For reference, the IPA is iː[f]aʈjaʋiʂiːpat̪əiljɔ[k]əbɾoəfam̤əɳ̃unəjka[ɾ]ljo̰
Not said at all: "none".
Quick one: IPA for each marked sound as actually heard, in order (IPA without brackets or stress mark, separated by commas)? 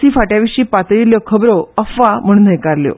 f, kʰ, ɾ